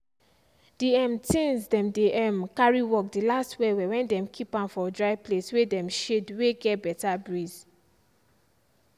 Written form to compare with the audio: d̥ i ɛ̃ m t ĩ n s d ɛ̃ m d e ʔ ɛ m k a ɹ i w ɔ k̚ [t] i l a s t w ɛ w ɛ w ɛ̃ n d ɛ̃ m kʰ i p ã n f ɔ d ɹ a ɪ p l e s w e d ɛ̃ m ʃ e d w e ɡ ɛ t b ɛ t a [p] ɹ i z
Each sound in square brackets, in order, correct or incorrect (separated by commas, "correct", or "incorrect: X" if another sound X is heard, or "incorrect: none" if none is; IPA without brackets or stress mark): incorrect: d, incorrect: b